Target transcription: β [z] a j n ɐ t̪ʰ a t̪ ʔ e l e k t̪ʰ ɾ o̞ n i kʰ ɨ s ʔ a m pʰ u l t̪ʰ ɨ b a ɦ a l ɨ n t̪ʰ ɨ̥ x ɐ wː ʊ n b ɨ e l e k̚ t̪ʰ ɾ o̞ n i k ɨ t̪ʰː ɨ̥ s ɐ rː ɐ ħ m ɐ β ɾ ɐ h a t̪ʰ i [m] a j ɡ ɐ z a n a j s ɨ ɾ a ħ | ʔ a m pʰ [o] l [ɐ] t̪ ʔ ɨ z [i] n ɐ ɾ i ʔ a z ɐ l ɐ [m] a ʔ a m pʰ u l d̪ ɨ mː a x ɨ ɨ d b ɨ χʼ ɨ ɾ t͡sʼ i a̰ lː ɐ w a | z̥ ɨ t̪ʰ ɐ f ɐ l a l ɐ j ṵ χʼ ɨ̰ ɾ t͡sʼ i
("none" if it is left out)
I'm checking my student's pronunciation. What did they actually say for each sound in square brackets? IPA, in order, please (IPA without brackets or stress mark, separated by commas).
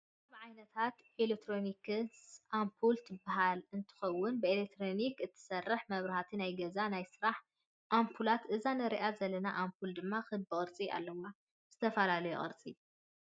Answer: ʕ, n, u, a, a, n